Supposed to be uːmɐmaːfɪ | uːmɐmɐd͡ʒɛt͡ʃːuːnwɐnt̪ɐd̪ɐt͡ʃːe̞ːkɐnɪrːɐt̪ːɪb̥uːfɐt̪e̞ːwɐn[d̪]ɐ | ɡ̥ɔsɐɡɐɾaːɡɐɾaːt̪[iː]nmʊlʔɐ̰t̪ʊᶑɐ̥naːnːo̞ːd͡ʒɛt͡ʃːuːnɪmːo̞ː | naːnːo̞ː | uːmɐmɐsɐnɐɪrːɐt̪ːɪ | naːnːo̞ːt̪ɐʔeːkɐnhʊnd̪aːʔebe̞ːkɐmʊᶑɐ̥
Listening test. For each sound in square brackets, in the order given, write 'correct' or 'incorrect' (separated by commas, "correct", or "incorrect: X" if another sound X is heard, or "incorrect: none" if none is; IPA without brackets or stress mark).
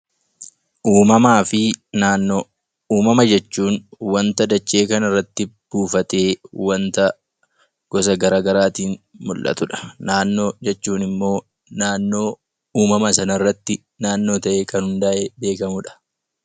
incorrect: t̪, correct